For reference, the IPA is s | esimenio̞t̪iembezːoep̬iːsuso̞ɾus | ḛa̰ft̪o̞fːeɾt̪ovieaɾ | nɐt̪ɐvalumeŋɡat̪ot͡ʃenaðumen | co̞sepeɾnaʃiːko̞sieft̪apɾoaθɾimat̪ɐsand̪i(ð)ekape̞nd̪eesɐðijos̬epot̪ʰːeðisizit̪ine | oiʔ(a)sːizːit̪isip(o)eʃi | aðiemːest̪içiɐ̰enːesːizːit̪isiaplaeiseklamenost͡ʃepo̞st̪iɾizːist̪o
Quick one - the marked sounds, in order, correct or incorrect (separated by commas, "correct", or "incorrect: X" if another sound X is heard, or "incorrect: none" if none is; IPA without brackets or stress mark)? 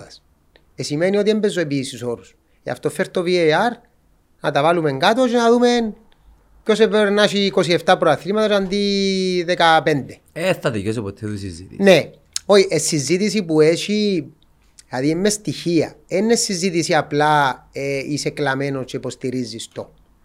correct, incorrect: e, incorrect: u